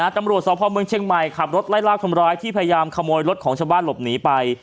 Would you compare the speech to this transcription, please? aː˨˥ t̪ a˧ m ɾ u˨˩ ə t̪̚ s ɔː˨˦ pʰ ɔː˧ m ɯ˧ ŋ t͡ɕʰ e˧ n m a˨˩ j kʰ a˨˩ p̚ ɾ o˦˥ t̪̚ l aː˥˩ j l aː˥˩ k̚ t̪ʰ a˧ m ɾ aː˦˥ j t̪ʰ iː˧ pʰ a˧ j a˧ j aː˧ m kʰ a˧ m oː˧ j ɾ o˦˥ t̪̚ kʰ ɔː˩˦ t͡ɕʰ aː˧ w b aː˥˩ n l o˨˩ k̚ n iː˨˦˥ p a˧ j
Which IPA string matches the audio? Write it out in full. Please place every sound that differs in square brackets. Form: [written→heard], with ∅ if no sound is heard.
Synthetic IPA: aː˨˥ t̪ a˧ m ɾ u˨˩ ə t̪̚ s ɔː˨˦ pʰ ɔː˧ m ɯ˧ ŋ t͡ɕʰ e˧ [n→ŋ] m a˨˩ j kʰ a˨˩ p̚ ɾ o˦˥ t̪̚ l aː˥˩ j l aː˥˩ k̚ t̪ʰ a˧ m ɾ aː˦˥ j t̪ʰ [iː˧→iː˥˩] pʰ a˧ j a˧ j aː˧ m kʰ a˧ m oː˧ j ɾ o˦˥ t̪̚ kʰ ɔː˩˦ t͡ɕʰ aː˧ w b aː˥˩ n l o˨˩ [k̚→p̚] n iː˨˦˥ p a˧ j